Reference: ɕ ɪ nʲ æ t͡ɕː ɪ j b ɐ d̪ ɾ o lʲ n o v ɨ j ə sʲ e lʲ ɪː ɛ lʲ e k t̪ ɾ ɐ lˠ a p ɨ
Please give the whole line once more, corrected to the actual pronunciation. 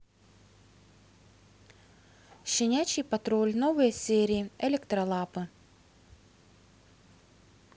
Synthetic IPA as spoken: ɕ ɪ nʲ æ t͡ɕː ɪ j p ɐ t̪ ɾ o lʲ n o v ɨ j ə sʲ e ɾʲ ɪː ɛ lʲ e k t̪ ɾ ɐ lˠ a p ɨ

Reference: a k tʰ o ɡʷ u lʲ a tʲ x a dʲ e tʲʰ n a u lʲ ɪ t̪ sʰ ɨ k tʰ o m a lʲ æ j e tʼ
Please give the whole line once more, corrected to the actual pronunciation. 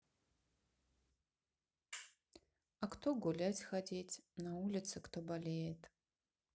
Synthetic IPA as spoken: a k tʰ o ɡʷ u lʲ a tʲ x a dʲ e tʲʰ n a u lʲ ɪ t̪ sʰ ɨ k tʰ o b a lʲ e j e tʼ

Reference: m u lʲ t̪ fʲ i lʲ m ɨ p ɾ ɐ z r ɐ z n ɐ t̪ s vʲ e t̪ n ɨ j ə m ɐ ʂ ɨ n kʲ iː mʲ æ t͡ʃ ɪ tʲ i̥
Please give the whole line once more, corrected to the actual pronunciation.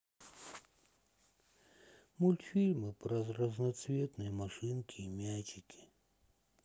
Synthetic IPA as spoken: m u lʲ t̪ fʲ i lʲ m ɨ p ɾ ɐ z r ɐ z n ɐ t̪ s vʲ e t̪ n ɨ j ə m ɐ ʂ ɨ n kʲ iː mʲ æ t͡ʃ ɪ kʲ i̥

